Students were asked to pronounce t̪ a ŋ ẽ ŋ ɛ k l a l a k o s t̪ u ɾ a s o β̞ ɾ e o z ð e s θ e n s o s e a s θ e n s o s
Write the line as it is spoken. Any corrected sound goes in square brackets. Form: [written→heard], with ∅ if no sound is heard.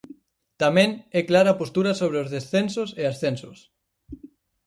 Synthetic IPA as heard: t̪ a [ŋ→m] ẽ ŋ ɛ k l a [l→ɾ] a [k→p] o s t̪ u ɾ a s o β̞ ɾ e o z ð e s θ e n s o s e a s θ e n s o s

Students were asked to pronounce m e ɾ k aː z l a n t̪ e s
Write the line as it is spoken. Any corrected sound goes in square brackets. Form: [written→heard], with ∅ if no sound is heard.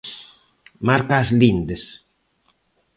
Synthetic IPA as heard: m [e→a] ɾ k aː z l [a→i] n [t̪→d̪] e s

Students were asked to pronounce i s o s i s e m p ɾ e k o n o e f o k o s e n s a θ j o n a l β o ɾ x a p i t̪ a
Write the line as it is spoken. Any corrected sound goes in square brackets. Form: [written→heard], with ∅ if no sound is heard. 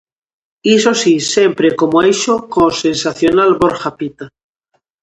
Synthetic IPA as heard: i s o s i s e m p ɾ e k o [n→m] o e [f→ʃ] o k o s e n s a θ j o n a l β o ɾ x a p i t̪ a

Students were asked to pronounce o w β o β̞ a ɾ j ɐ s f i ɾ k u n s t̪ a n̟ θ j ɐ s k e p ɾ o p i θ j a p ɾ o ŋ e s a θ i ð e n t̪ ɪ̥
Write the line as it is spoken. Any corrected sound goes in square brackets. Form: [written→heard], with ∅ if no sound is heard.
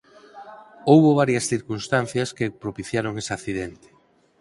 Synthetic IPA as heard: o w β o β̞ a ɾ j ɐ s [f→θ] i ɾ k u n s t̪ a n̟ θ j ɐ s k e p ɾ o p i θ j a [p→∅] ɾ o ŋ e s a θ i ð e n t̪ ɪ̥

